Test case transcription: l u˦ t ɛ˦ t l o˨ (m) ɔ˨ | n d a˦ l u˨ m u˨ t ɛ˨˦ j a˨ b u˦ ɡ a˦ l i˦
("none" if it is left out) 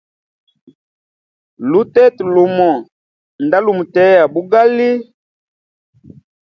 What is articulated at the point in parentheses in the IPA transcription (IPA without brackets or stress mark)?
m